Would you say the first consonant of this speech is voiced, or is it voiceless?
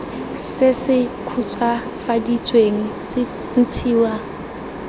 voiceless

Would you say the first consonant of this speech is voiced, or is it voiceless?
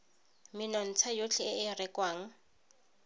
voiced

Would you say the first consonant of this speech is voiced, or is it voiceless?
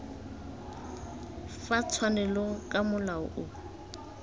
voiceless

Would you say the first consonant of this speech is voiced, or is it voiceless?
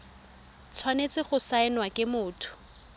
voiceless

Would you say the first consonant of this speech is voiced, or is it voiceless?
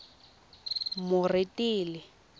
voiced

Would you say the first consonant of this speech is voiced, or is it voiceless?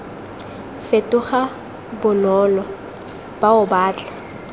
voiceless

